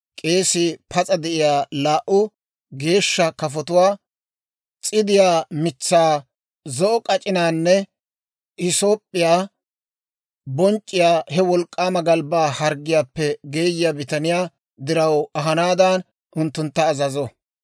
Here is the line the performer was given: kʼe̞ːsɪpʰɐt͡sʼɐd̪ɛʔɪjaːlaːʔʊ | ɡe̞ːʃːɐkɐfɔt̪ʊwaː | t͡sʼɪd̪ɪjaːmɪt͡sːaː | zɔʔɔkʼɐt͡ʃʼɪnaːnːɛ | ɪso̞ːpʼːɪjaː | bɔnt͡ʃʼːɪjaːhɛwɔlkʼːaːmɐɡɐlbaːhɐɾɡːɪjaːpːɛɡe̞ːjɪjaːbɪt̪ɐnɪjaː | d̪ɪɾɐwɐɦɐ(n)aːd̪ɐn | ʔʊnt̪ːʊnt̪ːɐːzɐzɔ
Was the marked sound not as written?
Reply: no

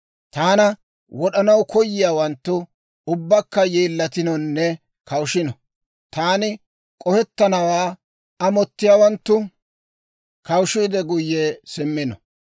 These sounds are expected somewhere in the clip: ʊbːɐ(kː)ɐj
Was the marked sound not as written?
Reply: no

